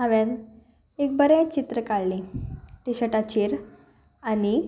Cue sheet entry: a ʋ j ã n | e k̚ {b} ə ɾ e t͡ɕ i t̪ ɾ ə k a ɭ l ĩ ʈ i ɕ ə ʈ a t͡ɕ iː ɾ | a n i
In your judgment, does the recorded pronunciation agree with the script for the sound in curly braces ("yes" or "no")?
yes